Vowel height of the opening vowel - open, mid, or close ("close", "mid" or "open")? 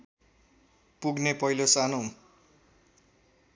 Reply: close